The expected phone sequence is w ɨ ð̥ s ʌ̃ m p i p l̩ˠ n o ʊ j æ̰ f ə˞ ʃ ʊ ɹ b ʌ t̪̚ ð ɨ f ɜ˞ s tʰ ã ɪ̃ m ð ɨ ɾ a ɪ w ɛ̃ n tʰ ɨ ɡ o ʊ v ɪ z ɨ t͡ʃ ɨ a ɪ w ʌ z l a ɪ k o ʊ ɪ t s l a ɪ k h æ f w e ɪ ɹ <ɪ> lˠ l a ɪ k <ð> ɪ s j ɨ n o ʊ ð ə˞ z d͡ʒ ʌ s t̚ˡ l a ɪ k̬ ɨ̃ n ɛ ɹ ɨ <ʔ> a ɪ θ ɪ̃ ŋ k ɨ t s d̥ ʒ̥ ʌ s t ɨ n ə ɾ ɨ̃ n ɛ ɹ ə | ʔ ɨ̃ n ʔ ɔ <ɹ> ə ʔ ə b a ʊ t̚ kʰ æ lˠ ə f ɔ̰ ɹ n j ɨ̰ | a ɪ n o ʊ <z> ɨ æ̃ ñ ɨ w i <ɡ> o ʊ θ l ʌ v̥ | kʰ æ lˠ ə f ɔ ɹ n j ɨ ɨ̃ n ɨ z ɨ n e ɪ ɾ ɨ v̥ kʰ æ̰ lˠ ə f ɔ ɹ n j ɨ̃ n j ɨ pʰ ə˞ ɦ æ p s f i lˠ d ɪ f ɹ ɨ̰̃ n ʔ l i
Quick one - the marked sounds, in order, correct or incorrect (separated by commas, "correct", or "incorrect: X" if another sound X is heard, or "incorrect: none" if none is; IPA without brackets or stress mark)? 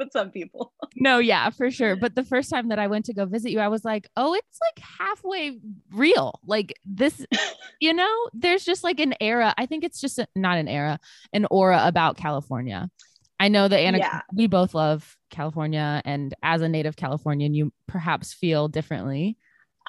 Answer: incorrect: i, correct, correct, correct, incorrect: ð, incorrect: b